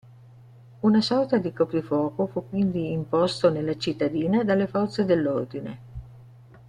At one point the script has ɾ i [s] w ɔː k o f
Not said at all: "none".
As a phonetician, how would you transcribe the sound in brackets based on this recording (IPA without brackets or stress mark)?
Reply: f